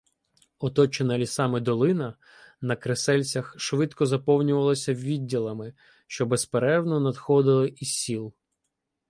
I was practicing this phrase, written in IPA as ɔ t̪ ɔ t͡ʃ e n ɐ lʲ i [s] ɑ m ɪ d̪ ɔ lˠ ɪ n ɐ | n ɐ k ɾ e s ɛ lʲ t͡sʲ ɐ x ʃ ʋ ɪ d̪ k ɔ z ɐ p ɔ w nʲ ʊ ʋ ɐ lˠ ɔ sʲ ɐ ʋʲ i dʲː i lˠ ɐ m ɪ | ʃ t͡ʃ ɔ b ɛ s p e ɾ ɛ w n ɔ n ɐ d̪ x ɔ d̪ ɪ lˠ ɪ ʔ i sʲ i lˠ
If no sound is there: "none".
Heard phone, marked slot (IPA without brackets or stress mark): s